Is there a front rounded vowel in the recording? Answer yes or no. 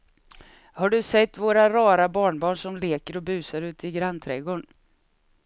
no